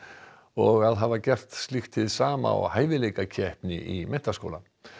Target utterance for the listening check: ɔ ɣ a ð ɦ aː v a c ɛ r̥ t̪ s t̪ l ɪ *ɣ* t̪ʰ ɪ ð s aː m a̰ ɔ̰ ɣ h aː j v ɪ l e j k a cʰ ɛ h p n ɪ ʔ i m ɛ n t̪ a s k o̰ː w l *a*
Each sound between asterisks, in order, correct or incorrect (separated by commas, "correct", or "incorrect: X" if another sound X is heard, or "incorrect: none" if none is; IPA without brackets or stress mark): incorrect: x, correct